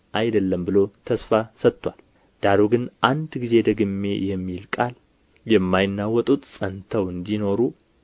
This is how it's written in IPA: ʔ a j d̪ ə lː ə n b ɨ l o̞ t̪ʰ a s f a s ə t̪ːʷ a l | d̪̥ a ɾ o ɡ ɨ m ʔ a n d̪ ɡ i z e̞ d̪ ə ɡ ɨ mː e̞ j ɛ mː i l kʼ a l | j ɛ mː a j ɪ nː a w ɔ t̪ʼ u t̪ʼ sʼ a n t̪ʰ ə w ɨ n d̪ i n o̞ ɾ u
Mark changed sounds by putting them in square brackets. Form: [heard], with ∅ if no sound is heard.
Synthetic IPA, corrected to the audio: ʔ a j d̪ ə lː ə [m] b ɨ l o̞ t̪ʰ [ə] s f a s ə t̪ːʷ a l | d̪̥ a ɾ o ɡ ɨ [n] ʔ a n d̪ ɡ i z e̞ d̪ ə ɡ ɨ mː e̞ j ɛ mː i l kʼ a l | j ɛ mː a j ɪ nː a w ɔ t̪ʼ u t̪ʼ sʼ [ə] n t̪ʰ ə w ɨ n d̪ i n o̞ ɾ u